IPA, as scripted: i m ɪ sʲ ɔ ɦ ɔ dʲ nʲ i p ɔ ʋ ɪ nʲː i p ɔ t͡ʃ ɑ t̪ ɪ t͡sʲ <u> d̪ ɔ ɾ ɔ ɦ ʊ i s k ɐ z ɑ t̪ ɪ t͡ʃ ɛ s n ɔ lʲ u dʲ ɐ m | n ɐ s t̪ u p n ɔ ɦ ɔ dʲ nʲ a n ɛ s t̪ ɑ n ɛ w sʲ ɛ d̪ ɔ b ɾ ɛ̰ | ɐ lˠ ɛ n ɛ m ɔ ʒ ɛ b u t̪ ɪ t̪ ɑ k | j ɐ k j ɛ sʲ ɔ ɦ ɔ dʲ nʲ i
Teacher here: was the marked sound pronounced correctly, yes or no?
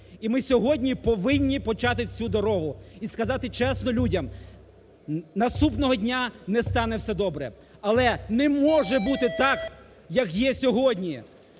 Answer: yes